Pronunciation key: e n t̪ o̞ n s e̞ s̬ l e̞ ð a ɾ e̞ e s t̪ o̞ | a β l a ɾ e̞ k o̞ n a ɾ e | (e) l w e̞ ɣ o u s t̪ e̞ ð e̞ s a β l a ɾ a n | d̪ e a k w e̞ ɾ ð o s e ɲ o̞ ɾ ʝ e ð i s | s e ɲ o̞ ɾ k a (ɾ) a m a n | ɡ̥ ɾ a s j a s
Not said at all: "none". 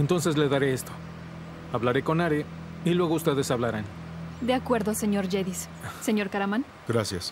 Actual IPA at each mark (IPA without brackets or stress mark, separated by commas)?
i, ɾ